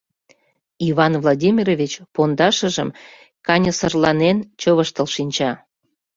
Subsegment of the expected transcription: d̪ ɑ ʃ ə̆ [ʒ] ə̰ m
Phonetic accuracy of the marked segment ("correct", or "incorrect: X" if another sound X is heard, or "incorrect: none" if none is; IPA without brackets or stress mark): correct